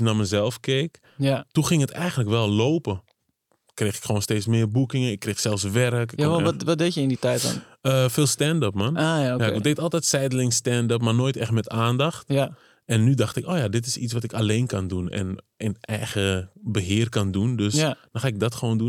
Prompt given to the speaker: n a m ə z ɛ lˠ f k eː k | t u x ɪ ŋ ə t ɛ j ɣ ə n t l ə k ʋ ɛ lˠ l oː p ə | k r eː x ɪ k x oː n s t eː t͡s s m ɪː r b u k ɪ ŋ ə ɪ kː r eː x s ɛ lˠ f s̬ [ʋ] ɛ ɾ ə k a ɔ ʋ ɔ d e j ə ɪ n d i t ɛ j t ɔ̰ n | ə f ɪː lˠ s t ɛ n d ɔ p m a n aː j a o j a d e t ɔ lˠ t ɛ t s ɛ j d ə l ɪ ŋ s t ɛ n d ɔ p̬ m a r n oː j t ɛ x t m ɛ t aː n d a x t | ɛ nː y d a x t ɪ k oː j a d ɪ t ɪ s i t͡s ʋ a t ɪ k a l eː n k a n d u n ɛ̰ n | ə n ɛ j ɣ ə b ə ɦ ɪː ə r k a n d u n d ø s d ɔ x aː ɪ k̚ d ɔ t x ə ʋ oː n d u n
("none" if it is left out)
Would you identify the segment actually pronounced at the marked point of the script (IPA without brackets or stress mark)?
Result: ʋ